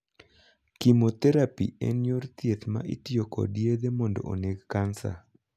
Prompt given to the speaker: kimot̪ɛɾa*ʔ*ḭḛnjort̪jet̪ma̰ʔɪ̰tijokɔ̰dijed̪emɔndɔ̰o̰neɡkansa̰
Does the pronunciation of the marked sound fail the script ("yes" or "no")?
yes